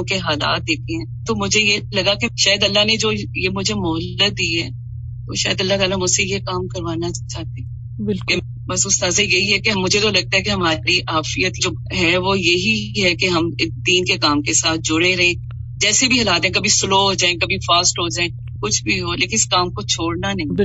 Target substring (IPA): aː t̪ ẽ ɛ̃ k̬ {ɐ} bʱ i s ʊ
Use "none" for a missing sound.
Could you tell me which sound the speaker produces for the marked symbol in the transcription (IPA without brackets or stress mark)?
ɐ